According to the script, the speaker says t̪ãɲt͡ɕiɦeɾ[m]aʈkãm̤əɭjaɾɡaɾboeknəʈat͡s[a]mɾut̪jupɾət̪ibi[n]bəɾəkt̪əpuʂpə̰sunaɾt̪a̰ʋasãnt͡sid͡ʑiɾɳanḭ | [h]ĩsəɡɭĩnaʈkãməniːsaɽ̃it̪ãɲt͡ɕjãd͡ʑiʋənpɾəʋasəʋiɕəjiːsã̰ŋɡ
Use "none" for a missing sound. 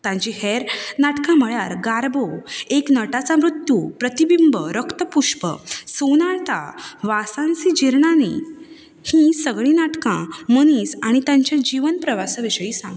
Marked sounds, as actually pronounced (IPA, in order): n, a, m, h

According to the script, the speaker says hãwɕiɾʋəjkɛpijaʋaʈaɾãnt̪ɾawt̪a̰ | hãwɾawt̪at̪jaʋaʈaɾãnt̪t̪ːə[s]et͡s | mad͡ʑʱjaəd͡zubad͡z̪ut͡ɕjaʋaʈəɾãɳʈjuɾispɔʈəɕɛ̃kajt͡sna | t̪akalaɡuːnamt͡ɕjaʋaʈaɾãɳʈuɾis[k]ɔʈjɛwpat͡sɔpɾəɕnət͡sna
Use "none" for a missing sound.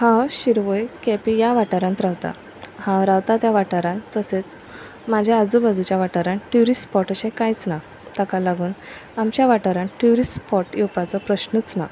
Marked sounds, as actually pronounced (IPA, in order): s, p

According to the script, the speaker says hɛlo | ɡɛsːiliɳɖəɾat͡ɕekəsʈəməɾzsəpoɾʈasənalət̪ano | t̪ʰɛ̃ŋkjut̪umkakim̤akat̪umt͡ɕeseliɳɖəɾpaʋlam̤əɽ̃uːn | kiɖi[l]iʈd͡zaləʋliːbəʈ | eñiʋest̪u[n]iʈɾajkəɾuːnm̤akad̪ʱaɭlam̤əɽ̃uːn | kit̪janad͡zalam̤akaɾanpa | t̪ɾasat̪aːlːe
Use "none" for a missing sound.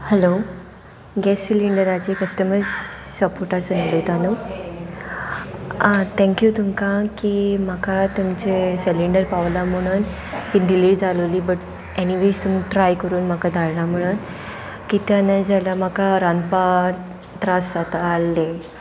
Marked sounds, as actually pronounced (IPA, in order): l, m

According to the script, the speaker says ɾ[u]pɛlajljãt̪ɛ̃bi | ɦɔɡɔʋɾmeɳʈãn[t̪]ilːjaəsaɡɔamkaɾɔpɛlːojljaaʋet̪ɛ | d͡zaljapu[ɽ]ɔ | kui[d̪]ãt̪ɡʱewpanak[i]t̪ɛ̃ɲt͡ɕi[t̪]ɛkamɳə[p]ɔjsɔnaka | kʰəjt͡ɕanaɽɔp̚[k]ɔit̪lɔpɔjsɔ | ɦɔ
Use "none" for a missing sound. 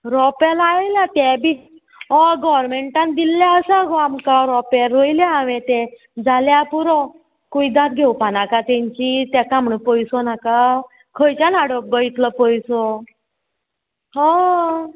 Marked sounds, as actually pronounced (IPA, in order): ɔ, d̪, ɾ, d̪, a, t̪, p, ɡ

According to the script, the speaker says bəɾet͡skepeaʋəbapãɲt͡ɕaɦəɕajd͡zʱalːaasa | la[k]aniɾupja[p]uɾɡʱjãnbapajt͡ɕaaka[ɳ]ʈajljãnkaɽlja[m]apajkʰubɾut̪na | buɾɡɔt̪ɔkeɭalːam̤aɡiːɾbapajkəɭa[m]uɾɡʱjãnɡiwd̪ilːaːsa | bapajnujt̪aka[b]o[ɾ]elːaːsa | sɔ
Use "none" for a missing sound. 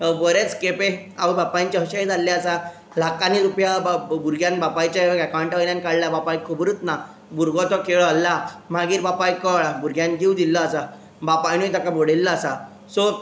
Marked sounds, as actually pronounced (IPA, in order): k, b, ɳ, b, b, b, ɽ

